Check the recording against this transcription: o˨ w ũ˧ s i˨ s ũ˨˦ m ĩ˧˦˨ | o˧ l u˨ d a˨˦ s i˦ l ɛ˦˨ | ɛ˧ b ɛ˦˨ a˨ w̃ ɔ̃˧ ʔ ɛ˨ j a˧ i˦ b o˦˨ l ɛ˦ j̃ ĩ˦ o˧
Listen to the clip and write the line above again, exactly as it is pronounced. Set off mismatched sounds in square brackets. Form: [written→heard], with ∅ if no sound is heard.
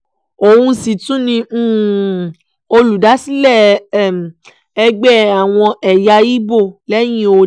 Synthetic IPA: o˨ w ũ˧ s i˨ [s→t] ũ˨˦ [m→n] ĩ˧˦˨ | o˧ l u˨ d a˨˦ s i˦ l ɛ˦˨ | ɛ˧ [b→ɡ͡b] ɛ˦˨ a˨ w̃ ɔ̃˧ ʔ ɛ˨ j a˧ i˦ b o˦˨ l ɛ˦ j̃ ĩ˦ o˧